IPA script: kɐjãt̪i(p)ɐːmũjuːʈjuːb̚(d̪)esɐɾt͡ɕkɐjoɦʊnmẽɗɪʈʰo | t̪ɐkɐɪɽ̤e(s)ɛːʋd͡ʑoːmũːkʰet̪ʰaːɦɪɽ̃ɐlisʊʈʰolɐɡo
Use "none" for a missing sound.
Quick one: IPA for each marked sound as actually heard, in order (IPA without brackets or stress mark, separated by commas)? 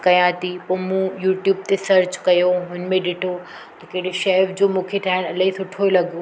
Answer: p, t̪, ʃ